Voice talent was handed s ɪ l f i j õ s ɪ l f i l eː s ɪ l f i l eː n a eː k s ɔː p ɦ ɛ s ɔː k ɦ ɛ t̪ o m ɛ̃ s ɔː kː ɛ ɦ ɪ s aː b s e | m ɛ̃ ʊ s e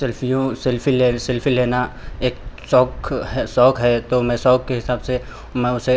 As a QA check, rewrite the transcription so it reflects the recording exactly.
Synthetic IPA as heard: s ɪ l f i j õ s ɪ l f i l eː s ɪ l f i l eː n a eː k s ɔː k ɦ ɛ s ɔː k ɦ ɛ t̪ o m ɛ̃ s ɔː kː e ɦ ɪ s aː b s e | m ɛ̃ ʊ s e